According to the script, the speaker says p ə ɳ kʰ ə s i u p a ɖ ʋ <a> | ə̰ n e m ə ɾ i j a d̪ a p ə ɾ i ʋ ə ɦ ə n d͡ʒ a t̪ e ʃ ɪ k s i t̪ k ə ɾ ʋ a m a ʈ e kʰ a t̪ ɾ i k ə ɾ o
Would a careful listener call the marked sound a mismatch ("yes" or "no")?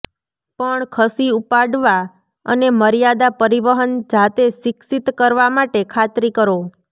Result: no